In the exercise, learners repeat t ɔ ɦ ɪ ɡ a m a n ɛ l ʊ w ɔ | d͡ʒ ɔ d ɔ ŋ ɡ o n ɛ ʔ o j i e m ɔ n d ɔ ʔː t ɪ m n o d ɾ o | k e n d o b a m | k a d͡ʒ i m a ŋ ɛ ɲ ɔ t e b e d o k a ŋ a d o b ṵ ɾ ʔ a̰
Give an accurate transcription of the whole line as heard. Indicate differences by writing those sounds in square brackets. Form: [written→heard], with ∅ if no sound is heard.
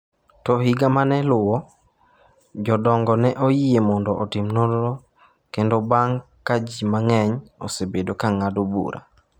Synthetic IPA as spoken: t ɔ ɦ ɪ ɡ a m a n ɛ l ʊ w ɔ | d͡ʒ ɔ d ɔ ŋ ɡ [o→ɔ] n ɛ ʔ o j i e m ɔ n d ɔ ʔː t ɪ m n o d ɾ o | k e n d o b a [m→ŋ] | k a d͡ʒ i m a ŋ ɛ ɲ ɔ [t→s] e b e d o k a ŋ a d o b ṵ ɾ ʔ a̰